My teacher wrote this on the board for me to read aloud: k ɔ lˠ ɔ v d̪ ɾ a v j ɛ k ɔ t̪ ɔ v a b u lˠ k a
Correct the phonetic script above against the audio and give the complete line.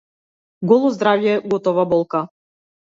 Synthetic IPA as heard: ɡ ɔ lˠ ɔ z d̪ ɾ a v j ɛ ɡ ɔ t̪ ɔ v a b ɔ lˠ k a